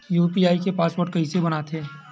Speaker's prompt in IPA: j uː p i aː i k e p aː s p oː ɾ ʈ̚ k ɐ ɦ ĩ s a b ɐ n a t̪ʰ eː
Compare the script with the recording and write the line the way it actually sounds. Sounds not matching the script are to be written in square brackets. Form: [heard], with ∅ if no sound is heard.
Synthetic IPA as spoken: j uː p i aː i k e p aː s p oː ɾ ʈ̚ k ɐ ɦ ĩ s [e] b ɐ n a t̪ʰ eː